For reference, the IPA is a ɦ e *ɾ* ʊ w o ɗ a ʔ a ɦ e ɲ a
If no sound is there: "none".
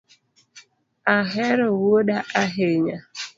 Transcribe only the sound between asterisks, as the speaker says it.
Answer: ɾ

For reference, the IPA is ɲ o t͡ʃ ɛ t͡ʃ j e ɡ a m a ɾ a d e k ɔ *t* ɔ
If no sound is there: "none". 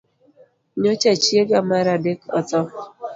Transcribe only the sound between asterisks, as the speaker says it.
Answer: t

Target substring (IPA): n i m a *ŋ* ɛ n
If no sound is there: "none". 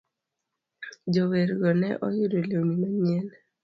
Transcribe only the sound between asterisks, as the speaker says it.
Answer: ɲ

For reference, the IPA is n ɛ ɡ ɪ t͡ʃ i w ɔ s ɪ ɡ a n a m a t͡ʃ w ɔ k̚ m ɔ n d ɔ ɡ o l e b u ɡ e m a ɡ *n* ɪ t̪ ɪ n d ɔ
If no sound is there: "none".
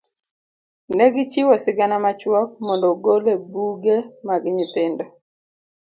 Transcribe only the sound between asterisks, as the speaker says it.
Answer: ɲ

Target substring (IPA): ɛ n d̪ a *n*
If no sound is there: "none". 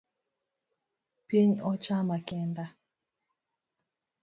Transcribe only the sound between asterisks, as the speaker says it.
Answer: none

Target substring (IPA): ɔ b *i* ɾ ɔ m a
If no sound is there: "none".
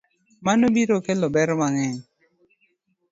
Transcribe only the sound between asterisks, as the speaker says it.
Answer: ɛ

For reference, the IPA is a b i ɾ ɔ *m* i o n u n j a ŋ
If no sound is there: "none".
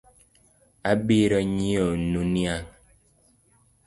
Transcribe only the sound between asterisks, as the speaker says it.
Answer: ɲ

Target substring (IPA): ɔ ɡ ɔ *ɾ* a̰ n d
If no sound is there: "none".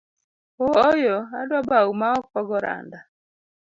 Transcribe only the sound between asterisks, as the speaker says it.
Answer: ɾ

